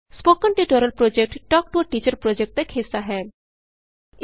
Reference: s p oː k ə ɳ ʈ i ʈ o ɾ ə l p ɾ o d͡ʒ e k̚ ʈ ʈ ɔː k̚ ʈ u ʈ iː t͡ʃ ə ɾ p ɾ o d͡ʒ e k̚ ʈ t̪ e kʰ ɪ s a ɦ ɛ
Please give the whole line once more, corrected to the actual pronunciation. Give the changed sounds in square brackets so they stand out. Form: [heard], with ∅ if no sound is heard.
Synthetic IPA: s p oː k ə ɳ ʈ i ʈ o ɾ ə l p ɾ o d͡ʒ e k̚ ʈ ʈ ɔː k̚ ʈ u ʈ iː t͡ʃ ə ɾ p ɾ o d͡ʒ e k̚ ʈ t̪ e kʰ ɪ s a ɦ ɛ